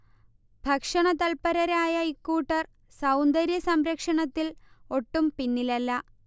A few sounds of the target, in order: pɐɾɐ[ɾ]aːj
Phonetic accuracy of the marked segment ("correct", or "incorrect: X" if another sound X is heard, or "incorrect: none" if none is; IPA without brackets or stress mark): correct